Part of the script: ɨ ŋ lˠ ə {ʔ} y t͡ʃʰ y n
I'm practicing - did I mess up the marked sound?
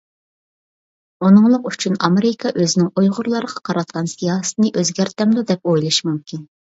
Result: yes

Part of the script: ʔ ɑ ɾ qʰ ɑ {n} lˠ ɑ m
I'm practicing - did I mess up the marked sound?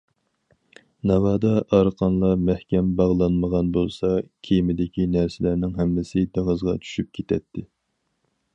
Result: no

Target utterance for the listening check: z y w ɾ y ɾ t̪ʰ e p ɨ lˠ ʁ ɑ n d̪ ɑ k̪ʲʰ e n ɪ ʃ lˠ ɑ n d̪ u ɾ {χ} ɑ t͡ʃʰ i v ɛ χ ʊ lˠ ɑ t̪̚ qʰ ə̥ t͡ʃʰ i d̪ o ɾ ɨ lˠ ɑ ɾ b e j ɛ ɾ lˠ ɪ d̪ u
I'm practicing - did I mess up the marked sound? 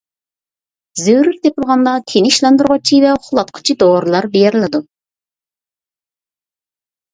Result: yes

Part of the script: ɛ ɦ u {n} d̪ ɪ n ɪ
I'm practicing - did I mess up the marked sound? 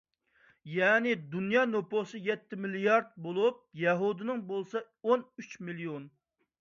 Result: yes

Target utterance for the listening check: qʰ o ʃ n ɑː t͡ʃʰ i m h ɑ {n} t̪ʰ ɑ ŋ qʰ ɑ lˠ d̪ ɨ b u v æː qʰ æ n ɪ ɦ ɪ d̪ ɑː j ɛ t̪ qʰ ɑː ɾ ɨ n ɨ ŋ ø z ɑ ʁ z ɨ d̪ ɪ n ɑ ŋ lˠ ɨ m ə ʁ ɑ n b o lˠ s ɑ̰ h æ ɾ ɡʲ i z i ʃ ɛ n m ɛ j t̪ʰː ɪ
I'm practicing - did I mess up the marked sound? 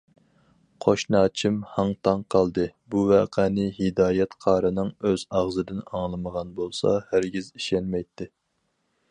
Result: yes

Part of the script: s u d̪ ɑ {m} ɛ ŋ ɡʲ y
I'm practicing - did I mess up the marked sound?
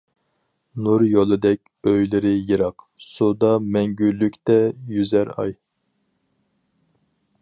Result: no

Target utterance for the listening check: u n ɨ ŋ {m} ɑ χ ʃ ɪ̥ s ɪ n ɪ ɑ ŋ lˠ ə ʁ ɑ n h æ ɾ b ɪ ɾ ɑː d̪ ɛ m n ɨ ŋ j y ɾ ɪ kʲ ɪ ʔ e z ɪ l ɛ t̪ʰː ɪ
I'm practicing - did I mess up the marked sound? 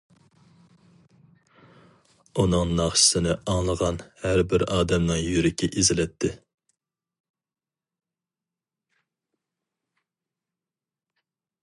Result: yes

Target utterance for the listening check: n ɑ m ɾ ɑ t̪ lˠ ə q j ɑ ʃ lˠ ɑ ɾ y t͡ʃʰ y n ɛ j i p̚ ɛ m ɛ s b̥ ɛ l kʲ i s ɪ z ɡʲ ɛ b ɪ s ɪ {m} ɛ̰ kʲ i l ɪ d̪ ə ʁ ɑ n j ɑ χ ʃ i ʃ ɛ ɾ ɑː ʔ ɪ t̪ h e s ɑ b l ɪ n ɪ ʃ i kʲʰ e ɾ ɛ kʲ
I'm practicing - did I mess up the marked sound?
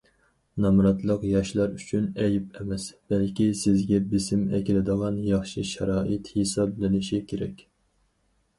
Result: no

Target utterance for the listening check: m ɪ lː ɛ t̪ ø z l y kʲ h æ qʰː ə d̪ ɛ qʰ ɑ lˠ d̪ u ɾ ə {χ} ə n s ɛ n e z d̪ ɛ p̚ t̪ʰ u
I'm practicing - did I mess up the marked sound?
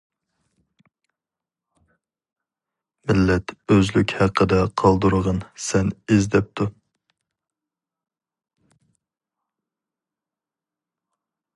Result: yes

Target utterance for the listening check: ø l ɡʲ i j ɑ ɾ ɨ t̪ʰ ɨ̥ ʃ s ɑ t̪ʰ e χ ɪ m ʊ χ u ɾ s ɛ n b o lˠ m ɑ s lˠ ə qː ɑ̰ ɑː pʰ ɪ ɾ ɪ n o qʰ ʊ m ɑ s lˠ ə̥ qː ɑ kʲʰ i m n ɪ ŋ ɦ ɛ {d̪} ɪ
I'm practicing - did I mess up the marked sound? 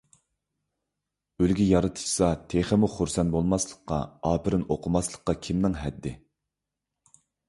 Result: yes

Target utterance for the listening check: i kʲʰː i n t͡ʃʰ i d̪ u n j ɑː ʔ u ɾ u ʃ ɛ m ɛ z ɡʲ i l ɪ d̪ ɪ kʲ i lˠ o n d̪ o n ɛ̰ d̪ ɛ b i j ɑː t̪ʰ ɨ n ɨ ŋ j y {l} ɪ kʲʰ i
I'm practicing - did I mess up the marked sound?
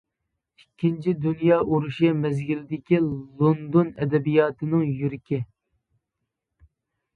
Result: yes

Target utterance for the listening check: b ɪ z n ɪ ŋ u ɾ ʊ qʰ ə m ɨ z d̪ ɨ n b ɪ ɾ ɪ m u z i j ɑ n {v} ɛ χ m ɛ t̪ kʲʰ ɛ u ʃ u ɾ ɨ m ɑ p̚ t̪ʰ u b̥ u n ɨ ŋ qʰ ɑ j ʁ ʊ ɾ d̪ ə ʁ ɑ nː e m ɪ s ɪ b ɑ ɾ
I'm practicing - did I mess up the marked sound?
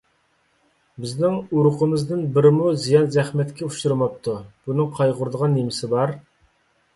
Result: yes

